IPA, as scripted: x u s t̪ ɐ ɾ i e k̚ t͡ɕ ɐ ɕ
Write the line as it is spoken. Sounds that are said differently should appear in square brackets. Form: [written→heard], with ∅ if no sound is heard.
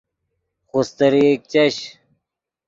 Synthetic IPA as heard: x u s t̪ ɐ ɾ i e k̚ t͡ɕ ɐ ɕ